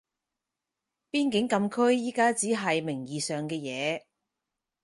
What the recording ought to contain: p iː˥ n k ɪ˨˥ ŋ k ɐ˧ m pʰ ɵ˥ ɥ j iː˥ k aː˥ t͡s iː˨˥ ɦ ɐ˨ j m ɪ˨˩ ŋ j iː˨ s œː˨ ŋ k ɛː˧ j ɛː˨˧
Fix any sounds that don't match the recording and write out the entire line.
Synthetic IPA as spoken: p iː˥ n k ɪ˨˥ ŋ k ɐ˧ m kʰ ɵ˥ ɥ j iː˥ k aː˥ t͡s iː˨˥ ɦ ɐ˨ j m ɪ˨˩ ŋ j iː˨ s œː˨ ŋ k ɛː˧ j ɛː˨˧